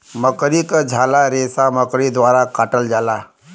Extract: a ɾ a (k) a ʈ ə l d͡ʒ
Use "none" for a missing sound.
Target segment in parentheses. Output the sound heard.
k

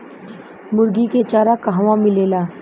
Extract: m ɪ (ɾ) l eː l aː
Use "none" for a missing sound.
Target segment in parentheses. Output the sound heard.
none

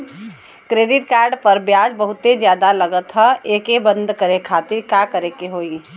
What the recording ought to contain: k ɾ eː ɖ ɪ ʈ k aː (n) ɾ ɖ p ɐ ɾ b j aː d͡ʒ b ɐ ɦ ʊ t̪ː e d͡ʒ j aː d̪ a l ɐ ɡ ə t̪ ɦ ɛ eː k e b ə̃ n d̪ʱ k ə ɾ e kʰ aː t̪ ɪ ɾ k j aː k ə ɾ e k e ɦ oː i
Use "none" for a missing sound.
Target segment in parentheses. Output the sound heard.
none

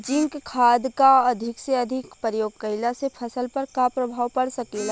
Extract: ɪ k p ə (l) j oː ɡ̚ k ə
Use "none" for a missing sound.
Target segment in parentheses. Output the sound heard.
ɾ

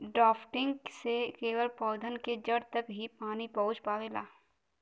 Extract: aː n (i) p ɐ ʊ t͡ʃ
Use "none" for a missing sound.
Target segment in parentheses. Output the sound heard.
i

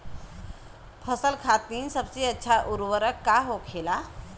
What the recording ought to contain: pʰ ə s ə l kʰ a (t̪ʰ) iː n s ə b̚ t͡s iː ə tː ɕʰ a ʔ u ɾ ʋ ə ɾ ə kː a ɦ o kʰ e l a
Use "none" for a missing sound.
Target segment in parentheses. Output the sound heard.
t̪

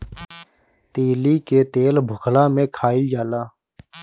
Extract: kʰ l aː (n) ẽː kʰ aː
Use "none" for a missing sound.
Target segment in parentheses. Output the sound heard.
m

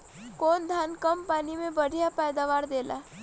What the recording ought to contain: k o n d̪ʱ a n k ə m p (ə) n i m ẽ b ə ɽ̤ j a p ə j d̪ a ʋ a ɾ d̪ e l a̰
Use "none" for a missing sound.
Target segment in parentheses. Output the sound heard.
a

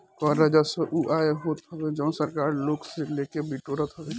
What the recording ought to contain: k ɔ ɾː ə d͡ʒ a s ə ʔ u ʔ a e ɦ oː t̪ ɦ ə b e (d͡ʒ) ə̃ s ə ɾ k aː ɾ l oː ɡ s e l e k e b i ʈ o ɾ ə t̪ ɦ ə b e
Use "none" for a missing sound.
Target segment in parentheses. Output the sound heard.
d͡ʒ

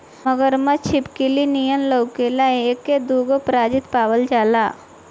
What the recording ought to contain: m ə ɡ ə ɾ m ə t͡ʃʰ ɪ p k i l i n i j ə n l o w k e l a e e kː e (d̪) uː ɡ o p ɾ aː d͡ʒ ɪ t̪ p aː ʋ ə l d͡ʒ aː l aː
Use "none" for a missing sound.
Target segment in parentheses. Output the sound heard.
d̪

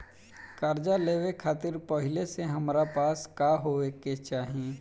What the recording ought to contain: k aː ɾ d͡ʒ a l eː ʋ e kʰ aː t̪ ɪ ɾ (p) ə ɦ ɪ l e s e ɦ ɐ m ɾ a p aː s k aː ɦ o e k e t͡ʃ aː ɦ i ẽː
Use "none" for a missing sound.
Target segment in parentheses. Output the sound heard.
p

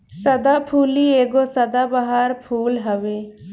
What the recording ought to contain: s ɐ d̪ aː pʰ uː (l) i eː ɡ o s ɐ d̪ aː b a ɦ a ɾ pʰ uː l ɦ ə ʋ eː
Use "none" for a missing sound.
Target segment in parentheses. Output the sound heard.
l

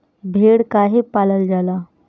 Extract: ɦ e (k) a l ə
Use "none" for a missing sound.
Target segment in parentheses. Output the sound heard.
p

